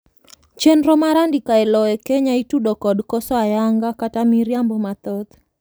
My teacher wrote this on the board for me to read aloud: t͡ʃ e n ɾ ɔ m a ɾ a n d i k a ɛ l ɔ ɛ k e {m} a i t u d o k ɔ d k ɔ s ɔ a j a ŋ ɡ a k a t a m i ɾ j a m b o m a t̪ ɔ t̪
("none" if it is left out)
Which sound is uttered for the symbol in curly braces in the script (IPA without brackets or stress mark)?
ɲ